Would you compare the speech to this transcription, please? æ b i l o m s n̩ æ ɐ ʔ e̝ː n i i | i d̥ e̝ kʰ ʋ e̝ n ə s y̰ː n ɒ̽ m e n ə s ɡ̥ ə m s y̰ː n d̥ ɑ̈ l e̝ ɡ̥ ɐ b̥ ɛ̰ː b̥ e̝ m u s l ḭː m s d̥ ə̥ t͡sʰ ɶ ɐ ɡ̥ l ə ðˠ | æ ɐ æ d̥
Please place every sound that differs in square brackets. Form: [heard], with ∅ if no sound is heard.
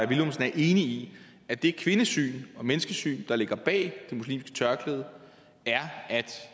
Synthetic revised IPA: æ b i l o m s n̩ æ ɐ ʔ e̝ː n i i | [æ] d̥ e̝ kʰ ʋ e̝ n ə s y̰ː n ɒ̽ m e n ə s ɡ̥ ə [∅] s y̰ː n d̥ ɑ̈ l e̝ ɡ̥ ɐ b̥ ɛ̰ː [d̥] e̝ m u s l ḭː m s [ɡ̥] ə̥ t͡sʰ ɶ ɐ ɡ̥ l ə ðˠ | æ ɐ æ d̥